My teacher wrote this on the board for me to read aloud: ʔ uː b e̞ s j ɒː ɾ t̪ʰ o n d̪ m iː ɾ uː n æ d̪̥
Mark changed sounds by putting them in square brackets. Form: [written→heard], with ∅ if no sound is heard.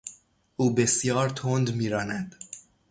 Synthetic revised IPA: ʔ uː b e̞ s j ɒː ɾ t̪ʰ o n d̪ m iː ɾ [uː→ɒː] n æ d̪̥

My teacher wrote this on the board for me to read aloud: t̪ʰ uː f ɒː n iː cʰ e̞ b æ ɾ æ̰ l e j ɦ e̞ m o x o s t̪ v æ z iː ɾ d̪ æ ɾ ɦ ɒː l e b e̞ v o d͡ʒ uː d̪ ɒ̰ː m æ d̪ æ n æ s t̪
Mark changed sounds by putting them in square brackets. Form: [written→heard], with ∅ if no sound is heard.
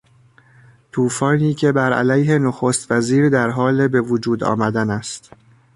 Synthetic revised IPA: t̪ʰ uː f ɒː n iː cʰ e̞ b æ ɾ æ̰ l [e→æ] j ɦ e̞ [m→n] o x o s t̪ v æ z iː ɾ d̪ æ ɾ ɦ ɒː l e b e̞ v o d͡ʒ uː d̪ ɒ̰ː m æ d̪ æ n æ s t̪

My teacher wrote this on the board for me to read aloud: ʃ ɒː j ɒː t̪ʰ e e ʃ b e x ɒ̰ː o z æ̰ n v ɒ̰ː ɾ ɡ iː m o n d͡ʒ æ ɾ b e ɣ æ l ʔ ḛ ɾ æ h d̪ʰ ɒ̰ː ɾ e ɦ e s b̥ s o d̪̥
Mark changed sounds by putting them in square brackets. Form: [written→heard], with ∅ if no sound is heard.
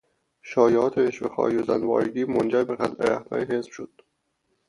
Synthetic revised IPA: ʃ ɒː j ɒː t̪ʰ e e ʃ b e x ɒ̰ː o z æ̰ n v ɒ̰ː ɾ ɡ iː m o n d͡ʒ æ ɾ b e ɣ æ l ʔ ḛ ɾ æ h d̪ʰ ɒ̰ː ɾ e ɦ e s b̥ [s→ʃ] o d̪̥

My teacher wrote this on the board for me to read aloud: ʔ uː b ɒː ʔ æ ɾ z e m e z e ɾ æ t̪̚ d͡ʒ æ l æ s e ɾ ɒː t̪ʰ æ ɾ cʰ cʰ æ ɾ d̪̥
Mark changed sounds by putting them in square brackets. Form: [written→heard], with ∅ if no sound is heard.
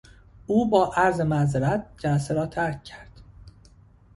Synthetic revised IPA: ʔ uː b ɒː ʔ æ ɾ z e m [e→æ] z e ɾ æ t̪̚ d͡ʒ æ l æ s e ɾ ɒː t̪ʰ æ ɾ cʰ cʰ æ ɾ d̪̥

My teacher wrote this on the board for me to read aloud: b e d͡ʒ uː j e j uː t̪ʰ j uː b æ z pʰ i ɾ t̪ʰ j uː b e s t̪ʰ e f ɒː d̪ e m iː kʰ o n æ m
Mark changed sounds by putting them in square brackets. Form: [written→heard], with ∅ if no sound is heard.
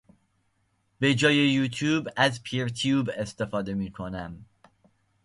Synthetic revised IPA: b e d͡ʒ [uː→ɒː] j e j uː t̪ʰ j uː b æ z pʰ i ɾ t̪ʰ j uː b e s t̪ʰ e f ɒː d̪ e m iː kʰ o n æ m

